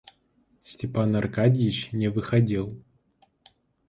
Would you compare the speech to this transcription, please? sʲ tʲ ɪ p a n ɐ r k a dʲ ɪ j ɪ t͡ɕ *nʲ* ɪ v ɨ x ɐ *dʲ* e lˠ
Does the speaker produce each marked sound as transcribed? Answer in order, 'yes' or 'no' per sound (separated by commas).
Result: yes, yes